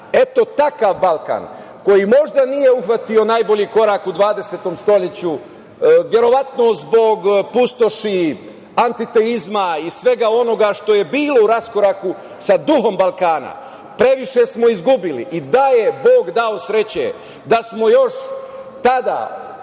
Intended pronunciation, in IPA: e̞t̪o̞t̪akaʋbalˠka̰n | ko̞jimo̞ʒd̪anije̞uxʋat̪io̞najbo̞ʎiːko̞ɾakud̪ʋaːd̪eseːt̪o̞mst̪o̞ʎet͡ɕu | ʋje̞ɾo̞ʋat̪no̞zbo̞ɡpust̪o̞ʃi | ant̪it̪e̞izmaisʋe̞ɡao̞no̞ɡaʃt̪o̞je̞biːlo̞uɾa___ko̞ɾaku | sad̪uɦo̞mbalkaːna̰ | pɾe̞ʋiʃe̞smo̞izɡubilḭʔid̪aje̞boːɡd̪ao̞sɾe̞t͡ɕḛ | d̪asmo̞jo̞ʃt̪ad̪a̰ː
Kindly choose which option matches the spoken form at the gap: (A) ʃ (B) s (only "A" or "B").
B